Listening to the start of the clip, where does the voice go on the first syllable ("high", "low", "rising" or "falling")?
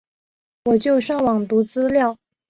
low